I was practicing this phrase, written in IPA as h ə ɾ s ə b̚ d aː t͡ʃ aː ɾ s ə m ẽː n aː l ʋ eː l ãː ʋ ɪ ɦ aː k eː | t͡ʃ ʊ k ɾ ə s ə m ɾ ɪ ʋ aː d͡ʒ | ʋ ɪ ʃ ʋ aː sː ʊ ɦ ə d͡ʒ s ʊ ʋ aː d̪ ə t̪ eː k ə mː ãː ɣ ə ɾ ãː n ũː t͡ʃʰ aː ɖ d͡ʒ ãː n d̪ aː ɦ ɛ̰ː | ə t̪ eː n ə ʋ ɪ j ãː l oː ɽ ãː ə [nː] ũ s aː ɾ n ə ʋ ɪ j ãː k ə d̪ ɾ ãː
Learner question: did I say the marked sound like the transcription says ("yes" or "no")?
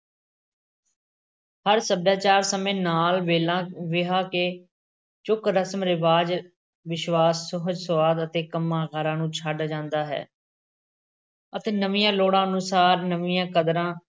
no